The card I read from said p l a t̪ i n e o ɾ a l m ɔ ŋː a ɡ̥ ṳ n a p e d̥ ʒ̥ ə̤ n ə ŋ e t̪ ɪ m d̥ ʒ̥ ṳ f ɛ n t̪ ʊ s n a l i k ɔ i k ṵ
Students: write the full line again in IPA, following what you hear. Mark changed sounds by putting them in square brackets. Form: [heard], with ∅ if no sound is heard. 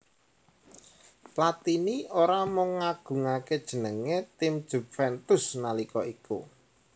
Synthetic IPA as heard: p l a t̪ i n [i] o ɾ a [∅] m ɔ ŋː a ɡ̥ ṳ [ŋ] a [k] e d̥ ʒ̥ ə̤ n ə ŋ e t̪ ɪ m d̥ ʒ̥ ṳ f ɛ n t̪ ʊ s n a l i k ɔ i k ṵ